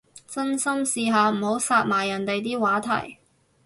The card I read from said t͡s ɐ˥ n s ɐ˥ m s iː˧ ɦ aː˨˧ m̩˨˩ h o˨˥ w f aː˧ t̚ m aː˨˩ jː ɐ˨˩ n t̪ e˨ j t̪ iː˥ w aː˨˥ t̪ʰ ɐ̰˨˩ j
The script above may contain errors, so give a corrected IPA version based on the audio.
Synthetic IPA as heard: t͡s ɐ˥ n s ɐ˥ m s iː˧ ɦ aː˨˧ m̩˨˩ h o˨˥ w s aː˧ t̚ m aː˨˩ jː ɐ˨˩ n t̪ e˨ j t̪ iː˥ w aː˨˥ t̪ʰ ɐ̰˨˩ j

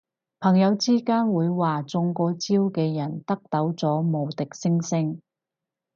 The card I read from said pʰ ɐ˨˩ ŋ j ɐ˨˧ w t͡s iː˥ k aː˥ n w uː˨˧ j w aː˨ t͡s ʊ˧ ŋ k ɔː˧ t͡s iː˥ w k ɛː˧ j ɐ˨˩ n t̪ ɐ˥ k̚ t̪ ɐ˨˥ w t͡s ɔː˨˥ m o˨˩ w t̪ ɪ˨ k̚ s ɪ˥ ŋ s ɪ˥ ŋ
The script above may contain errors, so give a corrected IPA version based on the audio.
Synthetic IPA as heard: pʰ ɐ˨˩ ŋ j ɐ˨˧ w t͡s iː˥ k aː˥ n w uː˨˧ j w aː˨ t͡s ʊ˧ ŋ k ɔː˧ t͡s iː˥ w k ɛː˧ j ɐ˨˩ n t̪ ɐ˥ k̚ t̪ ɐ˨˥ w t͡s ɔː˨˥ m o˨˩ w t̪ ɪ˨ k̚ s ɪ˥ ŋ s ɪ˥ ŋ

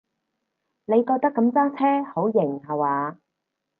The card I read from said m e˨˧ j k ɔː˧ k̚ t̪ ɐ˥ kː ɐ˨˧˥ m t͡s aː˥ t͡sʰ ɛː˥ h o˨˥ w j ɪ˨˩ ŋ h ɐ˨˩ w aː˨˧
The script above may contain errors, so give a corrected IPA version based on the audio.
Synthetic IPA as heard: n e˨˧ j k ɔː˧ k̚ t̪ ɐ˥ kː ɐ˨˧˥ m t͡s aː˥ t͡sʰ ɛː˥ h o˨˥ w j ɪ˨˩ ŋ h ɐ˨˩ w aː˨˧

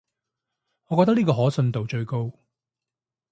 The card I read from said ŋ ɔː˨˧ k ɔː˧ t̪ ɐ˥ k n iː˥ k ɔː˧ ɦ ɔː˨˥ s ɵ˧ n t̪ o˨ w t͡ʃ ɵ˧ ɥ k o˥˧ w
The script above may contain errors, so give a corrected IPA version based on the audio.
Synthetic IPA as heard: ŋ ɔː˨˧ k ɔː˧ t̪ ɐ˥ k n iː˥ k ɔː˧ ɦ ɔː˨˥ s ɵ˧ n t̪ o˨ w t͡ʃ ɵ˧ ɥ k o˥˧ w

